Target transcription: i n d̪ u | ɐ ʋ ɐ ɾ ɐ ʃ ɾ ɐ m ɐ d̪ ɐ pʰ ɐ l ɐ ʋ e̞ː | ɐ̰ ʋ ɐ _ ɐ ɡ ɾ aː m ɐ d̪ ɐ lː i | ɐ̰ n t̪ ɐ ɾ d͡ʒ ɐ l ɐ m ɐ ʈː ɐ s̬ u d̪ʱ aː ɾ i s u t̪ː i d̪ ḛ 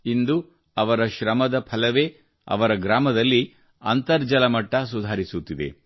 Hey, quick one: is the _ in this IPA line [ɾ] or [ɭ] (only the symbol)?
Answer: ɾ